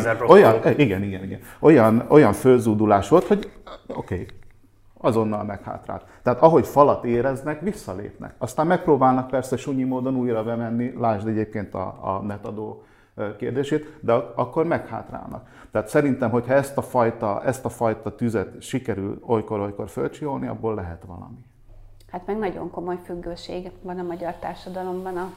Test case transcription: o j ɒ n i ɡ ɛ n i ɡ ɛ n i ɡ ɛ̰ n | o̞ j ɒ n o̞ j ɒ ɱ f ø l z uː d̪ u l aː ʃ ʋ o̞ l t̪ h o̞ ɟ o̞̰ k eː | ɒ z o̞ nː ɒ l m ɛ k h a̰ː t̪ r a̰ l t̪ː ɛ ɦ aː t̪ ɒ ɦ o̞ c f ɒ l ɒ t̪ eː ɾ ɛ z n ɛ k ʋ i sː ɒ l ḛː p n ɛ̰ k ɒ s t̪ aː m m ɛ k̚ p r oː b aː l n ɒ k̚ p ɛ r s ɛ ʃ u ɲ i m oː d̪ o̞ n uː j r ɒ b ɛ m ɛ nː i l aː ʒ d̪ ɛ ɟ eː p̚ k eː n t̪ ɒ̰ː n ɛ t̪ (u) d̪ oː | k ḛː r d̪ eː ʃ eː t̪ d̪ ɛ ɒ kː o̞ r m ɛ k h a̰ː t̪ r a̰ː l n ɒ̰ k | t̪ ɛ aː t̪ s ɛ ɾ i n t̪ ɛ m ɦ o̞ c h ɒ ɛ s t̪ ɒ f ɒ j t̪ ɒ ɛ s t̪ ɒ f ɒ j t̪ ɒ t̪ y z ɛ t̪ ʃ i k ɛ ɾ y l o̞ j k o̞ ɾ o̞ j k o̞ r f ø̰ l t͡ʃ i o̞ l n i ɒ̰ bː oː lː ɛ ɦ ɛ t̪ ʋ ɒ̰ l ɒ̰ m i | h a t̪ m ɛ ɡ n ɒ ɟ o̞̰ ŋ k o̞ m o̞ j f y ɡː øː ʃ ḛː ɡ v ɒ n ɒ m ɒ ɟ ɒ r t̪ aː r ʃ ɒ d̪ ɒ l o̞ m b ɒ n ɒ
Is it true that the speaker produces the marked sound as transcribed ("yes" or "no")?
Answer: no